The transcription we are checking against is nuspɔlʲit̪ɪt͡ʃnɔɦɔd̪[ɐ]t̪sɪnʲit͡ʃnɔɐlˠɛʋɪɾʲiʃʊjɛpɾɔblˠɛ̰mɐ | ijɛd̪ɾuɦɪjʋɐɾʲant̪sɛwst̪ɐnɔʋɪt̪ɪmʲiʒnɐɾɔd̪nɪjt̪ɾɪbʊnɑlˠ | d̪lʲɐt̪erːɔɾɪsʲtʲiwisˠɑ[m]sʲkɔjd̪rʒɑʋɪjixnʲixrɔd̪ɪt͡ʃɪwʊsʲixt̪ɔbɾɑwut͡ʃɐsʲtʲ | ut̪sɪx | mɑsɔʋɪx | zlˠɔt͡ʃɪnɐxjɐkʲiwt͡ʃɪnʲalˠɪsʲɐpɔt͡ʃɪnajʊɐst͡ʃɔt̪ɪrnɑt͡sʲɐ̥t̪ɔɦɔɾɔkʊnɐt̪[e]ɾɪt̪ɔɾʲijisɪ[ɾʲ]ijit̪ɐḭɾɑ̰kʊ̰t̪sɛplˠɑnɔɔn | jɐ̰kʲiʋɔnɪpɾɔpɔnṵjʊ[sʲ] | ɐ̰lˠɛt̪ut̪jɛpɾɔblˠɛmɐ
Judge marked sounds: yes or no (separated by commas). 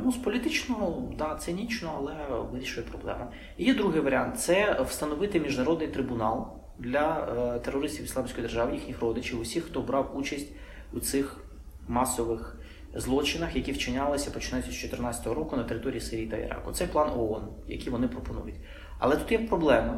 no, yes, yes, yes, no